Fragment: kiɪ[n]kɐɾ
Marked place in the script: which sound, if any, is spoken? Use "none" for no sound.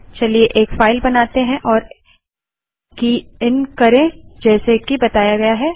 n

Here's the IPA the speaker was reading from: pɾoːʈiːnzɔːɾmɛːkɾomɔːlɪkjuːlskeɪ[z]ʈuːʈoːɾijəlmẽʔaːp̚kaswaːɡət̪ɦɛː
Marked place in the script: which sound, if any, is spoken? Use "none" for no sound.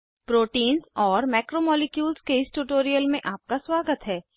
s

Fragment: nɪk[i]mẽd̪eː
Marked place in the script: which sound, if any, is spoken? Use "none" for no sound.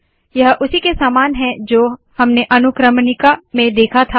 a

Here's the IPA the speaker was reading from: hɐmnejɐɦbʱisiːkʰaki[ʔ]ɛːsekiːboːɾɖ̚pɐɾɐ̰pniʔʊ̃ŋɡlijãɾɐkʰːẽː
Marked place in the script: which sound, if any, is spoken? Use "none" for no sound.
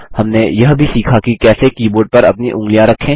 k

